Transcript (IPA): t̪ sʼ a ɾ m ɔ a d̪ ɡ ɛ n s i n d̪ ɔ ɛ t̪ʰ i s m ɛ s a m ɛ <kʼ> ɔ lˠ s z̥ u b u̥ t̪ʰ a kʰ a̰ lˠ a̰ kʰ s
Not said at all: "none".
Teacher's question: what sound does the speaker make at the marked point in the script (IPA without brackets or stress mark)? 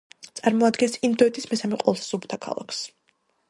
qʼ